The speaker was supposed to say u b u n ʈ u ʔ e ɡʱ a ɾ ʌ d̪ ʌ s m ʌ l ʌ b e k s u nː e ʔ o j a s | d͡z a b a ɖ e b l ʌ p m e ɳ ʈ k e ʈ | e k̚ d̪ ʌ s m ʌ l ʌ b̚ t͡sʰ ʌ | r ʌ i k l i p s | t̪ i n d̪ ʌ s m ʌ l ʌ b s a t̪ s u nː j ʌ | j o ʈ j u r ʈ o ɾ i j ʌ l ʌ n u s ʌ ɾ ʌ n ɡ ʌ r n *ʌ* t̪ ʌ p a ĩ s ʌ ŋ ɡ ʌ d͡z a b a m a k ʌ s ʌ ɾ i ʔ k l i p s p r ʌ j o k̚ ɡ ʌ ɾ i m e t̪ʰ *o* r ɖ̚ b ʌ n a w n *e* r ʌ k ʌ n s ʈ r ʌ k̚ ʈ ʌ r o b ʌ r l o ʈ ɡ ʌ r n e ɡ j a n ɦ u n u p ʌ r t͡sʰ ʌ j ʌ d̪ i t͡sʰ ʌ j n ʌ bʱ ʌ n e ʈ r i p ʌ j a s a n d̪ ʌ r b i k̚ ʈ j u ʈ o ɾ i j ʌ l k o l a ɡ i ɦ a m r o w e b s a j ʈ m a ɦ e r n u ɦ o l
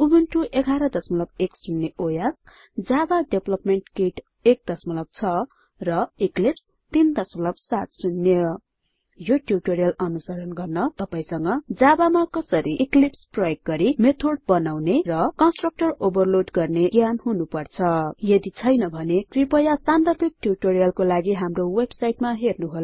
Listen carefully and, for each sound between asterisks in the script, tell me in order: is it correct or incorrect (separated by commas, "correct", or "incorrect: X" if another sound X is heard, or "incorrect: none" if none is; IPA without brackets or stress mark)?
correct, correct, correct